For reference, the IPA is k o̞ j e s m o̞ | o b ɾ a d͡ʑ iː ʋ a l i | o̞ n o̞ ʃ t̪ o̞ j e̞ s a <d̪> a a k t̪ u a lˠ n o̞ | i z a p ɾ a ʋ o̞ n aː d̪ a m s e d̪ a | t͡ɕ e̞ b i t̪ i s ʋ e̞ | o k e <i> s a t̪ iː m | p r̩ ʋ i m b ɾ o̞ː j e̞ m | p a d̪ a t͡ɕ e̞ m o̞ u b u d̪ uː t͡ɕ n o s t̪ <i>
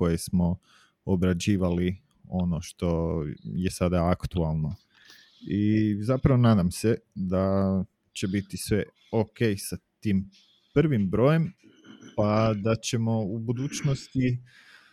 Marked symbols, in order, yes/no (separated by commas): yes, no, yes